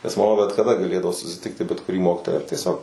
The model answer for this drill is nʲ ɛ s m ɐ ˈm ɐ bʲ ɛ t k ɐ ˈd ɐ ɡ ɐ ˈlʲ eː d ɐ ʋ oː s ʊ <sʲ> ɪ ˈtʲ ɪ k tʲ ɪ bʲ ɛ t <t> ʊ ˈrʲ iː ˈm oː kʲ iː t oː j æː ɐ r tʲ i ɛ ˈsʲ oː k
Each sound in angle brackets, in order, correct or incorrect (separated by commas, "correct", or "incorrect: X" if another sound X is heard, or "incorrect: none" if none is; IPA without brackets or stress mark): correct, incorrect: k